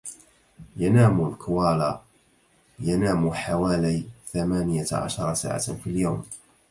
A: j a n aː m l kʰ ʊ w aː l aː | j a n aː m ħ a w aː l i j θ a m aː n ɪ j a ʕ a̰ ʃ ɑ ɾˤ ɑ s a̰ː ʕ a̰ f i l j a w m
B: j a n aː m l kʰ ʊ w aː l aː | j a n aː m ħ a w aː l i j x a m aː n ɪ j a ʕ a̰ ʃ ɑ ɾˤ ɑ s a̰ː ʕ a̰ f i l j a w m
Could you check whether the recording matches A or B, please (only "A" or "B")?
A